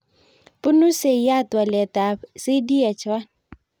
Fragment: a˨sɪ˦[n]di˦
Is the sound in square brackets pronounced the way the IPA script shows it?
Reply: no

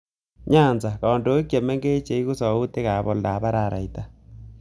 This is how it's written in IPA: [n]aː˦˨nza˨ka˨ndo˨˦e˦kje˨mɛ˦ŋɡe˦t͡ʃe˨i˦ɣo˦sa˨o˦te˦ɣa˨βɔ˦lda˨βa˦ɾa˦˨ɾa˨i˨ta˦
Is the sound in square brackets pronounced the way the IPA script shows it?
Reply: no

